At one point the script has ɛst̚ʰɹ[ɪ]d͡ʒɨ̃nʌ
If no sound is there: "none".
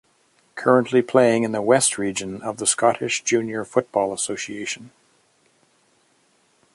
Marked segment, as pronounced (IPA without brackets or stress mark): i